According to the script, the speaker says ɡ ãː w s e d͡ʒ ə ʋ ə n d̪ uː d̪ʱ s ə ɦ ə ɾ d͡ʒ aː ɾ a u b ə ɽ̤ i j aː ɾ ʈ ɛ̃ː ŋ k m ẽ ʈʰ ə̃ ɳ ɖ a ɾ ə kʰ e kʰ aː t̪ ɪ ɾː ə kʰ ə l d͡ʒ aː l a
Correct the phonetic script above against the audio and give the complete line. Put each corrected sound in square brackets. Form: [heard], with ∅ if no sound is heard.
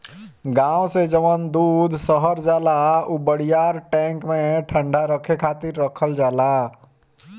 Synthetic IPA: ɡ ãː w s e d͡ʒ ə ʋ ə n d̪ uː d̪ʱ s ə ɦ ə ɾ d͡ʒ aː [l] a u b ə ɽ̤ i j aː ɾ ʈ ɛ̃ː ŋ k m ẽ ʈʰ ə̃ ɳ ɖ a ɾ ə kʰ e kʰ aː t̪ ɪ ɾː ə kʰ ə l d͡ʒ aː l a